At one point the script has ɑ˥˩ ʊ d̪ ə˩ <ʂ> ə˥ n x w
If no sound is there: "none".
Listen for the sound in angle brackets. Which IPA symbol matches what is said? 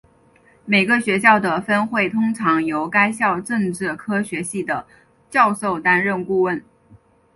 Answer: f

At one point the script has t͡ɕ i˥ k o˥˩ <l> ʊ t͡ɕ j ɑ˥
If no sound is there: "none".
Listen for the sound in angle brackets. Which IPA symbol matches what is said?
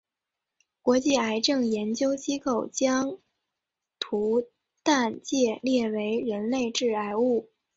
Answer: none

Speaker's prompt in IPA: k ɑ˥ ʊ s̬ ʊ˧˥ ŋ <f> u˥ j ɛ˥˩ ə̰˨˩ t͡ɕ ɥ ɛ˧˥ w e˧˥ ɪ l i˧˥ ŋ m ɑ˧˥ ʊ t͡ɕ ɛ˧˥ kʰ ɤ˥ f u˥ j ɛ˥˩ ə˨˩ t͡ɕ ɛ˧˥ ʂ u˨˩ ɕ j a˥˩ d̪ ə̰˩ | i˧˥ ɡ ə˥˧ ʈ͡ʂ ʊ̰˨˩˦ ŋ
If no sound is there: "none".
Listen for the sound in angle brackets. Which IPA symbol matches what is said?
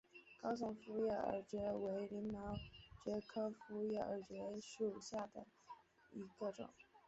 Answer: f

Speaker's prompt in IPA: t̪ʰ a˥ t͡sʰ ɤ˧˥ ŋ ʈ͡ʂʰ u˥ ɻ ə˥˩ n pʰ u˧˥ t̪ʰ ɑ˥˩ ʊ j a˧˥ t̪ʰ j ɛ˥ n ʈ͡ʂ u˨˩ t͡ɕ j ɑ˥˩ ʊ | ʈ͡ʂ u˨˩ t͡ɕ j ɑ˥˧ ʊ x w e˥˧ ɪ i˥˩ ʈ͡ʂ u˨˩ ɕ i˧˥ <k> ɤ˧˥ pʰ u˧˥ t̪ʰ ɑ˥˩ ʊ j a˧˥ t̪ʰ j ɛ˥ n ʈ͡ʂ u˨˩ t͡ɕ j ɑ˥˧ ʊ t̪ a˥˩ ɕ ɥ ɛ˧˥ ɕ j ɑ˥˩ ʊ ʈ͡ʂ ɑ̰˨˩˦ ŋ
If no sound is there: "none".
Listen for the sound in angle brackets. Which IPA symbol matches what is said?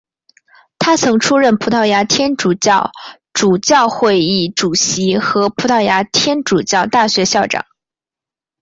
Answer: x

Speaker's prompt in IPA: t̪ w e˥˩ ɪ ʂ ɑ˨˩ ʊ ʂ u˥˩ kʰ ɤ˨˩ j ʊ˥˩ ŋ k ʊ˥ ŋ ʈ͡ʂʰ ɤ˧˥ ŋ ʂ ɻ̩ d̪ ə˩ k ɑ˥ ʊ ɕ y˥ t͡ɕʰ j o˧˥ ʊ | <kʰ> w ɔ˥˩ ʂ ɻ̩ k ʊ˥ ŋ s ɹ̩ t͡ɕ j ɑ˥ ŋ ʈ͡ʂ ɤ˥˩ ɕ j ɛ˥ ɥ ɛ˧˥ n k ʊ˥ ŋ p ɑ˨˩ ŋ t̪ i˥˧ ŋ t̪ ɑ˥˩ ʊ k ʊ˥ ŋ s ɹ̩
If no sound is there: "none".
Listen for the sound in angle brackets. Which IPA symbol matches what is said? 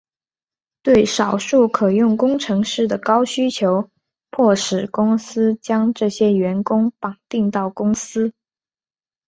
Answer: pʰ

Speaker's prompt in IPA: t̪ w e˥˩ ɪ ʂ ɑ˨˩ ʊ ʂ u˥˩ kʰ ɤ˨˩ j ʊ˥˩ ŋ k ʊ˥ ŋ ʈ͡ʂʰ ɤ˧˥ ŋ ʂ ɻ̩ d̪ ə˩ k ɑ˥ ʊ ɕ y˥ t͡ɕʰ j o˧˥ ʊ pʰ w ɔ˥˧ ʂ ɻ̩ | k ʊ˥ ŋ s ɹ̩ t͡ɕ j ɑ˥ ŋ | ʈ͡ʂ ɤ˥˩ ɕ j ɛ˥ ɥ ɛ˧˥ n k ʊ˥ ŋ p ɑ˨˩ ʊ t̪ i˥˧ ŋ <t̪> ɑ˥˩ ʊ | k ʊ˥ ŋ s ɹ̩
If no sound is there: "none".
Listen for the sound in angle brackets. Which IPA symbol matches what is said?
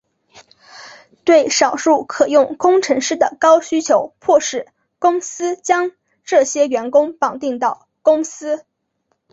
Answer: t̪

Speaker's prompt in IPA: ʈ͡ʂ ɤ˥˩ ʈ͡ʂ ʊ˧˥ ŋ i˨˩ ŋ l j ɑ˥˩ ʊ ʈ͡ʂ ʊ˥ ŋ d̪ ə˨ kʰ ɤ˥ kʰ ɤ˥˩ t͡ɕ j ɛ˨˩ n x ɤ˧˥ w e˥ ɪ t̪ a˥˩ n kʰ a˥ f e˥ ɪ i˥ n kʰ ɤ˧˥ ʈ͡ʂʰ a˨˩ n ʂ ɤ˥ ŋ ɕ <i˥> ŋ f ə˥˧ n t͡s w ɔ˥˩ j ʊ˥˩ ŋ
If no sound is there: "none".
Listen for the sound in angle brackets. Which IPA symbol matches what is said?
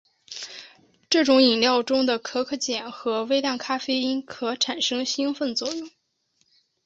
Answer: i˥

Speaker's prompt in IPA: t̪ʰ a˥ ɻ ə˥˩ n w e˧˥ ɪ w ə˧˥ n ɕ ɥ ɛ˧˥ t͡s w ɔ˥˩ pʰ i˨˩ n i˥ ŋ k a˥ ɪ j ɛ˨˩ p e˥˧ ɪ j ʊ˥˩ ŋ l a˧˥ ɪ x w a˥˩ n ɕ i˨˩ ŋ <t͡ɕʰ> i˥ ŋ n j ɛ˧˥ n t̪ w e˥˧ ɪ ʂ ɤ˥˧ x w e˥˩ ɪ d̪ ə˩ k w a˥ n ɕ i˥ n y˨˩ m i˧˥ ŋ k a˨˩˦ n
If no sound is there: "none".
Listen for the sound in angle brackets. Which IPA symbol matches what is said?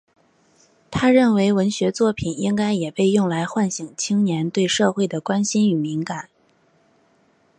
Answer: t͡ɕʰ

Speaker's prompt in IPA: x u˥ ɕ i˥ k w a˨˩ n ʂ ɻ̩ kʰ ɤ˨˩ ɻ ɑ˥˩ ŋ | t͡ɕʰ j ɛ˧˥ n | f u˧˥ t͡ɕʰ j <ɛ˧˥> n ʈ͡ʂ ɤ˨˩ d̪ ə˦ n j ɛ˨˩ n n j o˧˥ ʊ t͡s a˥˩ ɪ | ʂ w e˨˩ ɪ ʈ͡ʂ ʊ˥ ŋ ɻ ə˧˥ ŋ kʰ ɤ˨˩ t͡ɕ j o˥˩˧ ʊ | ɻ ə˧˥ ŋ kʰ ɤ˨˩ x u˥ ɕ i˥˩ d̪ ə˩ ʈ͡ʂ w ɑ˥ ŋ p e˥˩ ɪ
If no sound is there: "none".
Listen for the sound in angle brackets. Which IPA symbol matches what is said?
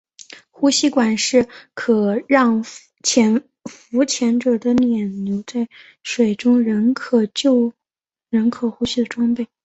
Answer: ɛ˧˥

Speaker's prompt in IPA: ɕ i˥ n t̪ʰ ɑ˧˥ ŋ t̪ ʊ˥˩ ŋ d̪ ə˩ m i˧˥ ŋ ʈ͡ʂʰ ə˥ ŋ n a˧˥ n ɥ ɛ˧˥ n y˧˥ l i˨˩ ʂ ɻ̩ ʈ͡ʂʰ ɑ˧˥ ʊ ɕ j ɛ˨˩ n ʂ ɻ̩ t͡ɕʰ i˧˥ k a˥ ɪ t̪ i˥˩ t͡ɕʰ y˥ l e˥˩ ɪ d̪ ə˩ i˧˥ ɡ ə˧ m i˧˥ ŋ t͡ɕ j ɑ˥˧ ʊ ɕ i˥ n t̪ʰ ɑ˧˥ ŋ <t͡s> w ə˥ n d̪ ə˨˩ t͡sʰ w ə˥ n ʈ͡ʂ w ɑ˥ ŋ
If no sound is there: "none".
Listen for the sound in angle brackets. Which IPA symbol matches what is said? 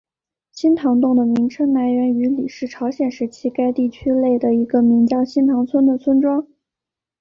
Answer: t͡sʰ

